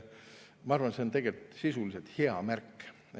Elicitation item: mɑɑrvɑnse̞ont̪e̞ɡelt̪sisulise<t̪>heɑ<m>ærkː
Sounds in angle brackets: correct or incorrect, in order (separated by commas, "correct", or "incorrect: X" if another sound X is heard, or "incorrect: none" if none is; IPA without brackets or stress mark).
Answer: correct, correct